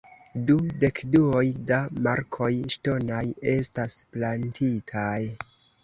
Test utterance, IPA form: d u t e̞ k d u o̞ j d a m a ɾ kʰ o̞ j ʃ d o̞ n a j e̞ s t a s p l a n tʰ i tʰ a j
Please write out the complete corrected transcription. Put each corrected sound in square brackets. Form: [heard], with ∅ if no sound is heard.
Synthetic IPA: d u [d] e̞ k d u o̞ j d a m a ɾ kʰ o̞ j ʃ [t] o̞ n a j e̞ s t a s p l a n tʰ i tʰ a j